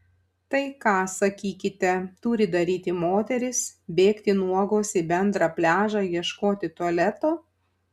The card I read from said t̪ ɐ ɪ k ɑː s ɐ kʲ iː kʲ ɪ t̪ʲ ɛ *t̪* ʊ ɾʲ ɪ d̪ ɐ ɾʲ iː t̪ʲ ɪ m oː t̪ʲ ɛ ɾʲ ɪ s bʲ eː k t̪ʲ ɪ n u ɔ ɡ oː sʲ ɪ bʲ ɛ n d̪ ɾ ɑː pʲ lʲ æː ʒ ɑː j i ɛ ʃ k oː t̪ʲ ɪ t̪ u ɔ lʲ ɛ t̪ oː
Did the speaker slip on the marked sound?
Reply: no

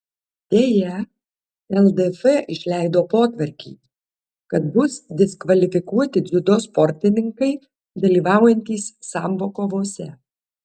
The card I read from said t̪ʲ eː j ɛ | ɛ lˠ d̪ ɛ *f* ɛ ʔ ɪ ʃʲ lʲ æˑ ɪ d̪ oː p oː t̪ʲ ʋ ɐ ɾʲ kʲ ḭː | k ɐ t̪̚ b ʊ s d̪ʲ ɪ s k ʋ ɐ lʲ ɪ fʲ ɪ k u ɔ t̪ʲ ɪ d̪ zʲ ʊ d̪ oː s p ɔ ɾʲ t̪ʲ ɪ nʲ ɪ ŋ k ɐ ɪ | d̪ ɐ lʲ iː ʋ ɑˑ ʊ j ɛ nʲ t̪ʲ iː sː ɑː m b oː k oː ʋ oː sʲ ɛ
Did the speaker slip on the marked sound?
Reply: no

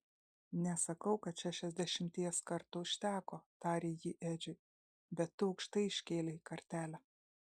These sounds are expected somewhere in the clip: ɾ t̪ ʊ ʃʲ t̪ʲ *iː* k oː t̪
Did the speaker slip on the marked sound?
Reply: yes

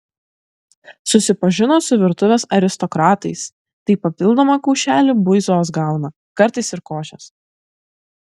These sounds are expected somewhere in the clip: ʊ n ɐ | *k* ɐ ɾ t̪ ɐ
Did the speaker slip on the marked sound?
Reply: no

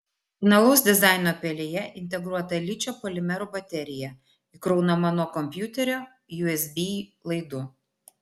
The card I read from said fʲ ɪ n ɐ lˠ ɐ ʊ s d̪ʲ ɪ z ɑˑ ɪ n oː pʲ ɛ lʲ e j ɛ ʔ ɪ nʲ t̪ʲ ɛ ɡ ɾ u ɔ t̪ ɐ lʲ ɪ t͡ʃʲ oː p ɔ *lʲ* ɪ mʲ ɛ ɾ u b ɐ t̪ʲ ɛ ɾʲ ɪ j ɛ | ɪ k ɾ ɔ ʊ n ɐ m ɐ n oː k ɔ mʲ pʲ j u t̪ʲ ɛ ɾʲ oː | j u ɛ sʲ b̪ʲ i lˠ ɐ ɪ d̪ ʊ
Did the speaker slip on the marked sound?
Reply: no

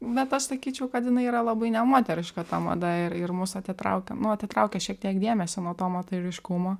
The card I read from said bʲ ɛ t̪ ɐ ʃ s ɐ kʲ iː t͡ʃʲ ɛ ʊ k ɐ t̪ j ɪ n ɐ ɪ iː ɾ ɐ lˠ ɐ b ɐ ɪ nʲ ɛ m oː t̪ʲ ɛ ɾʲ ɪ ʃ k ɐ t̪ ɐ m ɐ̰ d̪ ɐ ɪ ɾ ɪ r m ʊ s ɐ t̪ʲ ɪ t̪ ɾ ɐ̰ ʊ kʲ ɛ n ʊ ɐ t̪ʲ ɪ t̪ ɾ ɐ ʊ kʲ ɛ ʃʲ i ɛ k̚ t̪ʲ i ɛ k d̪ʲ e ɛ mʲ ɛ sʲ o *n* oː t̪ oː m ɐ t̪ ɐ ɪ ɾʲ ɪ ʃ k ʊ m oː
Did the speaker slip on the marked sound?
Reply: no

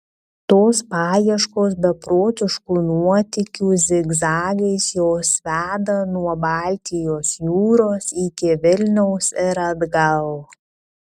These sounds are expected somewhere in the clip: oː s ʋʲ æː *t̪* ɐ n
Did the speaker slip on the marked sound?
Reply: yes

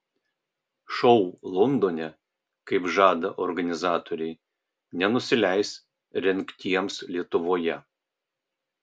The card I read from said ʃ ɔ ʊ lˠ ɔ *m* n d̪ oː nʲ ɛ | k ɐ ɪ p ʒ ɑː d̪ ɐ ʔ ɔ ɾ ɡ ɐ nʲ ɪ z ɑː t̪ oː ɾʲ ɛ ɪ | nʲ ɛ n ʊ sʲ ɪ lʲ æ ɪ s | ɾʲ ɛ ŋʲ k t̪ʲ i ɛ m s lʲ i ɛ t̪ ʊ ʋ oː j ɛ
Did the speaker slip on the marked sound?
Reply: yes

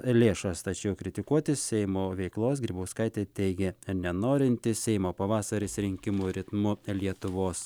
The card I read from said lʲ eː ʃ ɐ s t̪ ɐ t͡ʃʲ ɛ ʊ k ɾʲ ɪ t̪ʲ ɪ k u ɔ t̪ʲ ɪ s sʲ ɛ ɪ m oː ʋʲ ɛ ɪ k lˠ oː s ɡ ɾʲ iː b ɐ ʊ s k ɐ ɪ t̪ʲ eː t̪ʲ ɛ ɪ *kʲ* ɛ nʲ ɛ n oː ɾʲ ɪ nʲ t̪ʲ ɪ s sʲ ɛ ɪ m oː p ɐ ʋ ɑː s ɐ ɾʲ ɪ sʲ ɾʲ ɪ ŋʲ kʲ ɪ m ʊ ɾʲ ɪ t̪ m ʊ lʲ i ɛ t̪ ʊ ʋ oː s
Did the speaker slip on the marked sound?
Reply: yes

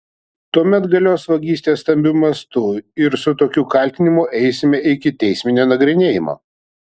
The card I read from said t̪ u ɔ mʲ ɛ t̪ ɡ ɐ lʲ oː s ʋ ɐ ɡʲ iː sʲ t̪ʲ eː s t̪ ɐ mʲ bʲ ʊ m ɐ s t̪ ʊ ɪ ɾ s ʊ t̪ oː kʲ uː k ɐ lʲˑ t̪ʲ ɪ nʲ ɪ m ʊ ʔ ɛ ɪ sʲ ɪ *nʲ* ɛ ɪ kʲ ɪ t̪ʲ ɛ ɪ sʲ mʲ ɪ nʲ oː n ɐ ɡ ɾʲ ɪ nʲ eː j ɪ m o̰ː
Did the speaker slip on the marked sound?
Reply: yes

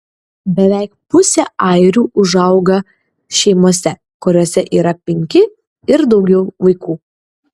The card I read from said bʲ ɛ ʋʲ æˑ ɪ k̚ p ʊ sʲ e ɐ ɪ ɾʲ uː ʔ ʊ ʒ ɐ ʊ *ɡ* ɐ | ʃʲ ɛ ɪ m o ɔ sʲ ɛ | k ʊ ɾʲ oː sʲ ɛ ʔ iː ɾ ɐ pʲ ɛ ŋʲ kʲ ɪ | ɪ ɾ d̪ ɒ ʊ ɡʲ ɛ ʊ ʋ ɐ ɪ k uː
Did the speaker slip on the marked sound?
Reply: no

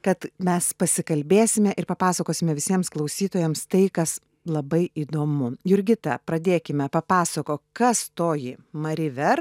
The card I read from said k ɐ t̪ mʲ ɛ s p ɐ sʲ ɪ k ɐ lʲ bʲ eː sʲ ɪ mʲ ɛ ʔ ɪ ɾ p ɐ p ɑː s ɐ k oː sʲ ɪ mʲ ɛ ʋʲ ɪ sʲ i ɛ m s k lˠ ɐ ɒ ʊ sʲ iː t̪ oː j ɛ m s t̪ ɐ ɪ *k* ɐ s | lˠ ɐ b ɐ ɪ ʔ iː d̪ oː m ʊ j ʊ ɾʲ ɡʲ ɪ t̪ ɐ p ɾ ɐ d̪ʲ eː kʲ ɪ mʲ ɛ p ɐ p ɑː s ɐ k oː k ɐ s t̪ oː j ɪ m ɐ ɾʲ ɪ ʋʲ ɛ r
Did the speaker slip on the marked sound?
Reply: no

